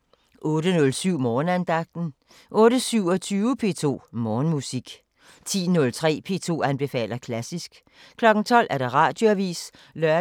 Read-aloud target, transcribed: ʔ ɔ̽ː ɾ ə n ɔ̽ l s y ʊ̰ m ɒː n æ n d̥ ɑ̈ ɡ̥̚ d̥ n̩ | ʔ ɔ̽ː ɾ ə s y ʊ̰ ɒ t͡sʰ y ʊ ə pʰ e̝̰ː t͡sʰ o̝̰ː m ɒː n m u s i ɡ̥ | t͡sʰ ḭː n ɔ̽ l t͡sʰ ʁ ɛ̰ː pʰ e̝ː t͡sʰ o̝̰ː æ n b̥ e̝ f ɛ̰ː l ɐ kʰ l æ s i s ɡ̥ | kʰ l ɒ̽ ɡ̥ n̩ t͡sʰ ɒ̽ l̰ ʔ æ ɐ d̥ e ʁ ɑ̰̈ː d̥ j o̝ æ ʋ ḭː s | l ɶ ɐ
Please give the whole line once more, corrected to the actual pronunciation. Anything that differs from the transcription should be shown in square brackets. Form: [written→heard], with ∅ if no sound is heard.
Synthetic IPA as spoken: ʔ ɔ̽ː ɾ ə n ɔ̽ l s y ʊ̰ m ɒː n æ n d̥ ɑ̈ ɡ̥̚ d̥ n̩ | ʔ ɔ̽ː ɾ ə s y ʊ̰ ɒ t͡sʰ [y→yː] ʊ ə pʰ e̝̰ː t͡sʰ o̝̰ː m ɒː n m u s i ɡ̥ | t͡sʰ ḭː n ɔ̽ l t͡sʰ ʁ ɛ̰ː pʰ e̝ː t͡sʰ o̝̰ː æ n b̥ e̝ f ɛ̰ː l ɐ kʰ l æ s i s ɡ̥ | kʰ l ɒ̽ ɡ̥ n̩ t͡sʰ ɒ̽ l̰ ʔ æ ɐ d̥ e ʁ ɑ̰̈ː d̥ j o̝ æ ʋ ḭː s | l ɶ ɐ